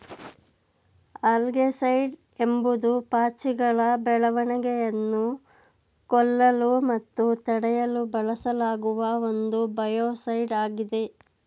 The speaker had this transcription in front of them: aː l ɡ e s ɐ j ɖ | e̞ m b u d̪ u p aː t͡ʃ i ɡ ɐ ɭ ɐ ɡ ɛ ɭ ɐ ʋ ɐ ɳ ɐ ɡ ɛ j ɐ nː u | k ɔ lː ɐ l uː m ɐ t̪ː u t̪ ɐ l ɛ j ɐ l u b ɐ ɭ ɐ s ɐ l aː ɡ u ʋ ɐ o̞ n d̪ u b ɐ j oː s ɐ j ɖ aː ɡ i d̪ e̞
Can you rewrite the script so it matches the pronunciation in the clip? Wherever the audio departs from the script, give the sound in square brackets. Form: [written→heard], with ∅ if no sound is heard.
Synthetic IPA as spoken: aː l ɡ e s ɐ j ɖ | e̞ m b u d̪ u p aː t͡ʃ i ɡ ɐ ɭ ɐ [ɡ→b] ɛ ɭ ɐ ʋ ɐ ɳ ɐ ɡ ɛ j ɐ nː u | k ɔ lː ɐ l [uː→u] m ɐ t̪ː u t̪ ɐ [l→ɽ] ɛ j ɐ l u b ɐ ɭ ɐ s ɐ l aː ɡ u ʋ ɐ o̞ n d̪ u b ɐ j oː s ɐ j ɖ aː ɡ i d̪ e̞